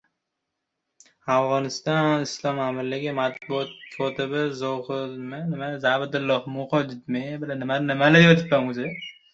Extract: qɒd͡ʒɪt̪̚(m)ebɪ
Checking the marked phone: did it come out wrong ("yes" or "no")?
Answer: no